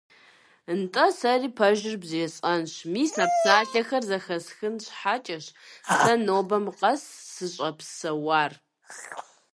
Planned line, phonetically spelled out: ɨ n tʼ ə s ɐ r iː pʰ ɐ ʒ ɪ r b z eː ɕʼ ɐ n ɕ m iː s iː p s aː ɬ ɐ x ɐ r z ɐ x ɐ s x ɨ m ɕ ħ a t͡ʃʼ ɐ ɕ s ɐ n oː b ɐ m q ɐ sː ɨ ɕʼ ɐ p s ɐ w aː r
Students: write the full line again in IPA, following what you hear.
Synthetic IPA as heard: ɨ n tʼ ɐ s ɐ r iː pʰ ɐ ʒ ɪ r b z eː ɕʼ ɐ n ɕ m iː s aː p s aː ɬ ɐ x ɐ r z ɐ x ɐ s x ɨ n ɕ ħ a t͡ʃʼ ɐ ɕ s ɐ n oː b ɐ m q ɐ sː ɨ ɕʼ ɐ p s ɐ w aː r